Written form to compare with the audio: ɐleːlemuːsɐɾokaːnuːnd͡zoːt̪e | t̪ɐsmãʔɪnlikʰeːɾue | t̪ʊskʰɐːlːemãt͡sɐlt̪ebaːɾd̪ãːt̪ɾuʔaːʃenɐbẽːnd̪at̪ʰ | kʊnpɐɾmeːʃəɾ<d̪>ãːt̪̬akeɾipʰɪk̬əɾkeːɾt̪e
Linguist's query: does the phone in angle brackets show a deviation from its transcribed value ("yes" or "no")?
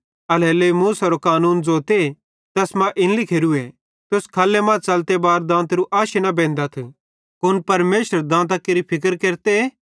no